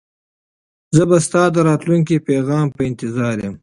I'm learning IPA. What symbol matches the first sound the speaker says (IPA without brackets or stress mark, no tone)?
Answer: z